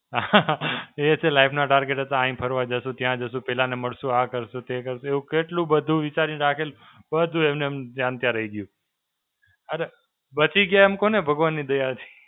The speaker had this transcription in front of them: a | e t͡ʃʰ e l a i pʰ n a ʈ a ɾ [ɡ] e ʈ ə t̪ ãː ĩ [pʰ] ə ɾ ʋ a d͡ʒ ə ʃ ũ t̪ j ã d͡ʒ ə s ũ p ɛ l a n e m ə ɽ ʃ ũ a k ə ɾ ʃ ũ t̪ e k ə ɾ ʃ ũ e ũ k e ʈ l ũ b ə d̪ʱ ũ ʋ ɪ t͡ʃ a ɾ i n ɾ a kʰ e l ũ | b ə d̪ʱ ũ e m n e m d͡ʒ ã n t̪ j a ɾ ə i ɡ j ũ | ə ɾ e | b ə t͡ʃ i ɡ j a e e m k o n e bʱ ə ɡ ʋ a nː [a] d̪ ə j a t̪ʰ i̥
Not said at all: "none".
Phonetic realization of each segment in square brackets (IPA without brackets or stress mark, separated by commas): ɡ, pʰ, i